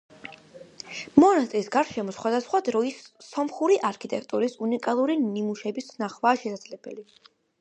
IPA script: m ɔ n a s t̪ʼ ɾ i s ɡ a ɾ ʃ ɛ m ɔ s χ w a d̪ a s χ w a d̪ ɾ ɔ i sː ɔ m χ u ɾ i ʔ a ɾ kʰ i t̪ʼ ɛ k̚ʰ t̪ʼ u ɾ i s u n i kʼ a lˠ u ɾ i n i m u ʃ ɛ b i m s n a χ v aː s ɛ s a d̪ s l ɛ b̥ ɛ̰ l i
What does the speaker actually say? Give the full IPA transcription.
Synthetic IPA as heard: m ɔ n a s t̪ʼ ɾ i s ɡ a ɾ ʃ ɛ m ɔ s χ w a d̪ a s χ w a d̪ ɾ ɔ i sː ɔ m χ u ɾ i ʔ a ɾ kʰ i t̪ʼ ɛ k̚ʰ t̪ʼ u ɾ i s u n i kʼ a lˠ u ɾ i n i m u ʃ ɛ b i s n a χ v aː ʃ ɛ s a d̪ z l ɛ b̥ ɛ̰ l i

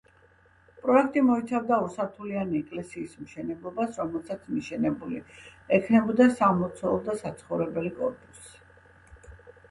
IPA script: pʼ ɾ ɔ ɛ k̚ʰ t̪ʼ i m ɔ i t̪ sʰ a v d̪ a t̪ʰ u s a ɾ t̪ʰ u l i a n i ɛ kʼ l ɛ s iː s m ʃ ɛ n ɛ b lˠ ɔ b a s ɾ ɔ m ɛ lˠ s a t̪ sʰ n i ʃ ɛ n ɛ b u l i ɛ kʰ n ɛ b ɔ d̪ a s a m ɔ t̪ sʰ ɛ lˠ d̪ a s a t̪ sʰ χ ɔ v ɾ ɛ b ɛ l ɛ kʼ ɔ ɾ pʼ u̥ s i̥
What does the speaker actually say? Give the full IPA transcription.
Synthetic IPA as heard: pʼ ɾ ɔ ɛ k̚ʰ t̪ʼ i m ɔ i t̪ sʰ a v d̪ a u s a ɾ t̪ʰ u l i a n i ɛ kʼ l ɛ s iː s m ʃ ɛ n ɛ b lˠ ɔ b a s ɾ ɔ m ɛ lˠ s a t̪ sʰ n i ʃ ɛ n ɛ b u l i ɛ kʰ n ɛ b ɔ d̪ a s a m ɔ t̪ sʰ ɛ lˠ d̪ a s a t̪ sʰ χ ɔ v ɾ ɛ b ɛ l i kʼ ɔ ɾ pʼ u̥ s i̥

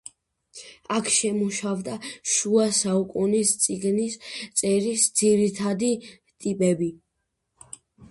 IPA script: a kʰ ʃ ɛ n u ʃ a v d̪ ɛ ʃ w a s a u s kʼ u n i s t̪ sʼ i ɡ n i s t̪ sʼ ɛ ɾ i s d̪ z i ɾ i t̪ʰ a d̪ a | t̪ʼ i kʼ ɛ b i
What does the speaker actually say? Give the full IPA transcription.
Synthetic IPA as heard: a kʰ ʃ ɛ m u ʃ a v d̪ a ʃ u a s a u kʼ u n i s t̪ sʼ i ɡ n i s t̪ sʼ ɛ ɾ i s d̪ z i ɾ i t̪ʰ a d̪ i | t̪ʼ i pʼ ɛ b i

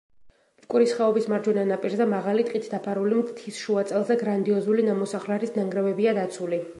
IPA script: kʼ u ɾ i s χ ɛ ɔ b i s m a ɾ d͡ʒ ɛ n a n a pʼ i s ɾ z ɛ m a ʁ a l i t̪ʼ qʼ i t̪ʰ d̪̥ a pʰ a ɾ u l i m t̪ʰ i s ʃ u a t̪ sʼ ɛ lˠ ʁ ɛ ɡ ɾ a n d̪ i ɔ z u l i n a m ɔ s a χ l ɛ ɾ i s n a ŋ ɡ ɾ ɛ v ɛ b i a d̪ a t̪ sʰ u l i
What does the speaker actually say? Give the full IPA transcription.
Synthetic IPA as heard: kʼ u ɾ i s χ ɛ ɔ b i s m a ɾ d͡ʒ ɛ n a n a pʼ i ɾ z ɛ m a ʁ a l i t̪ʼ qʼ i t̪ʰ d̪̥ a pʰ a ɾ u l i m t̪ʰ i s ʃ u a t̪ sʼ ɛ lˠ z ɛ ɡ ɾ a n d̪ i ɔ z u l i n a m ɔ s a χ l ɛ ɾ i s n a ŋ ɡ ɾ ɛ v ɛ b i a d̪ a t̪ sʰ u l i

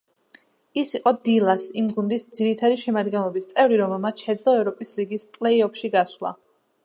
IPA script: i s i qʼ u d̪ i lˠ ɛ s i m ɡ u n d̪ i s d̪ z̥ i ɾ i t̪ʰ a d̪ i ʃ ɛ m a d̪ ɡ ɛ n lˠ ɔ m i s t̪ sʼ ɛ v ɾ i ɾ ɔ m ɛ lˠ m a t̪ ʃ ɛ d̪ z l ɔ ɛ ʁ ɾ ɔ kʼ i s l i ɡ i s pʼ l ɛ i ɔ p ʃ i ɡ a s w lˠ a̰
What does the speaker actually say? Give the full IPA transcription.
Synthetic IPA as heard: i s i qʼ ɔ d̪ i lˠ a s i m ɡ u n d̪ i s d̪ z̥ i ɾ i t̪ʰ a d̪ i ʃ ɛ m a d̪ ɡ ɛ n lˠ ɔ b i s t̪ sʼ ɛ v ɾ i ɾ ɔ m ɛ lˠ m a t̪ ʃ ɛ d̪ z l ɔ ɛ v ɾ ɔ pʼ i s l i ɡ i s pʼ l ɛ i ɔ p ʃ i ɡ a s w lˠ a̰

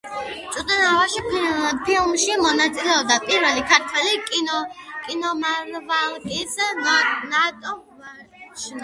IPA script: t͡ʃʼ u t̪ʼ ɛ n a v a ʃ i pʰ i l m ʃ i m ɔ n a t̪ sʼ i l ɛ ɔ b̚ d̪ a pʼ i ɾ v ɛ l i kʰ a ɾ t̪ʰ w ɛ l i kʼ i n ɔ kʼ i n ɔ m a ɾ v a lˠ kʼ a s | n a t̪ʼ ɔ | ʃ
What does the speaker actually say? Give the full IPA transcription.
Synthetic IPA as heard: t͡ʃʼ u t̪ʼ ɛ n a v a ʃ i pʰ i l m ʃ i m ɔ n a t̪ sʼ i l ɛ ɔ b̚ d̪ a pʼ i ɾ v ɛ l i kʰ a ɾ t̪ʰ w ɛ l i kʼ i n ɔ kʼ i n ɔ m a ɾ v a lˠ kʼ i s | n a t̪ʼ ɔ | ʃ

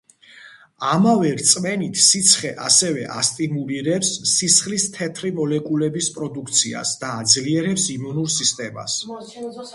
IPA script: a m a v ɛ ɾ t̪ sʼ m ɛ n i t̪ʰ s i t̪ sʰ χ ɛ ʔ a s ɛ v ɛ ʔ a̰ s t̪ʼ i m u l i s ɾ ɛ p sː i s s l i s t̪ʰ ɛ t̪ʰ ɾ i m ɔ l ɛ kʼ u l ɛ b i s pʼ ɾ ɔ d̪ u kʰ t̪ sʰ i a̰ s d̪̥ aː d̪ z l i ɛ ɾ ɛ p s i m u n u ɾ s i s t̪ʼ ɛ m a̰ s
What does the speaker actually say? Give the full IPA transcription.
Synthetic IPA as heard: a m a v ɛ ɾ t̪ sʼ m ɛ n i t̪ʰ s i t̪ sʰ χ ɛ ʔ a s ɛ v ɛ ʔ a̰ s t̪ʼ i m u l i ɾ ɛ p sː i s χ l i s t̪ʰ ɛ t̪ʰ ɾ i m ɔ l ɛ kʼ u l ɛ b i s pʼ ɾ ɔ d̪ u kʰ t̪ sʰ i a̰ s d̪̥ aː d̪ z l i ɛ ɾ ɛ p s i m u n u ɾ s i s t̪ʼ ɛ m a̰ s

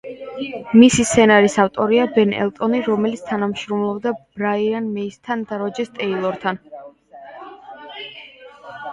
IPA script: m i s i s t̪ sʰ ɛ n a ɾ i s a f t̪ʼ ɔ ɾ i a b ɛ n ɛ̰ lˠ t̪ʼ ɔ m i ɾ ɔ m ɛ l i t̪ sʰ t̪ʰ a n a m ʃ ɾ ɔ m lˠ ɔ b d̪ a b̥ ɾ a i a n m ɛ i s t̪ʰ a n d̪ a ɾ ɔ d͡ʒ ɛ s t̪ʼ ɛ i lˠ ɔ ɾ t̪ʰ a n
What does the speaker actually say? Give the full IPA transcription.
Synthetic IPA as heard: m i s i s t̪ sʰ ɛ n a ɾ i s a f t̪ʼ ɔ ɾ i a b ɛ n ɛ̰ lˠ t̪ʼ ɔ n i ɾ ɔ m ɛ l i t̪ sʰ t̪ʰ a n a m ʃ ɾ ɔ m lˠ ɔ b d̪ a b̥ ɾ a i a n m ɛ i s t̪ʰ a n d̪ a ɾ ɔ d͡ʒ ɛ s t̪ʼ ɛ i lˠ ɔ ɾ t̪ʰ a n

